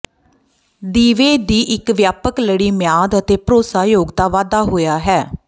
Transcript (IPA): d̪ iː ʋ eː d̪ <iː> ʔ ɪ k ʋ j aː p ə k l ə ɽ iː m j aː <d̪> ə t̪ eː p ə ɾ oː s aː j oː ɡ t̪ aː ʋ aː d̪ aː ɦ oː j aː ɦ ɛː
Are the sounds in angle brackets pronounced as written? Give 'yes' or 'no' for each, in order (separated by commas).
yes, yes